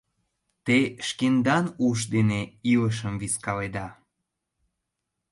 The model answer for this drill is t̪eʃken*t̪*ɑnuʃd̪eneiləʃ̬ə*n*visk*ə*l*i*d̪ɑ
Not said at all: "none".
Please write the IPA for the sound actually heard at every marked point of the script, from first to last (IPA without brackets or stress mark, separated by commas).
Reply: d̪, m, ɑ, e